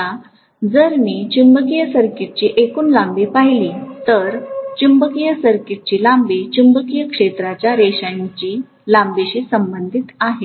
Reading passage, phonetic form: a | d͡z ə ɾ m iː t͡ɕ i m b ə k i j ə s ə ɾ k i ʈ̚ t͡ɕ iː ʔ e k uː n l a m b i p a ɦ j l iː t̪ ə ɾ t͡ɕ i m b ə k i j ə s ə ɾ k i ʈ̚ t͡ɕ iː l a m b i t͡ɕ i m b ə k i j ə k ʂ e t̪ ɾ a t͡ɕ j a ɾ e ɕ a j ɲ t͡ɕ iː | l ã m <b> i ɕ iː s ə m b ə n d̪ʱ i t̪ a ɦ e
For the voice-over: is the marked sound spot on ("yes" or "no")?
yes